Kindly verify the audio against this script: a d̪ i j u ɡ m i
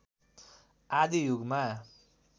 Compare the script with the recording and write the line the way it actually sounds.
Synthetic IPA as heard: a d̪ i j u ɡ m a